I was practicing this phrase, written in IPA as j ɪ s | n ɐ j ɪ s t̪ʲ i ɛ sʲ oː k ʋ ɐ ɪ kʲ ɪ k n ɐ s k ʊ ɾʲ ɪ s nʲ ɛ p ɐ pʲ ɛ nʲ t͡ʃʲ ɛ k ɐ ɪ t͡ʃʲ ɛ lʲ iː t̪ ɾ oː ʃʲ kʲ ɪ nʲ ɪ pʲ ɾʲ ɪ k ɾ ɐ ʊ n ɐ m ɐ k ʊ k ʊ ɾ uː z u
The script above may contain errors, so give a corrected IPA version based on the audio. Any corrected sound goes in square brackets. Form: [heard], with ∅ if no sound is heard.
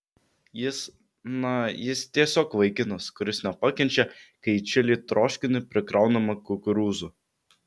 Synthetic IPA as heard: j ɪ s | n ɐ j ɪ s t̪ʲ i ɛ sʲ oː k ʋ ɐ ɪ kʲ ɪ [∅] n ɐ s k ʊ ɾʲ ɪ s nʲ ɛ p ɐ [kʲ] ɛ nʲ t͡ʃʲ ɛ k ɐ ɪ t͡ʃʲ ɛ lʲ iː t̪ ɾ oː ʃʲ kʲ ɪ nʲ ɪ pʲ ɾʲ ɪ k ɾ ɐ ʊ n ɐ m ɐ k ʊ k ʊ ɾ uː z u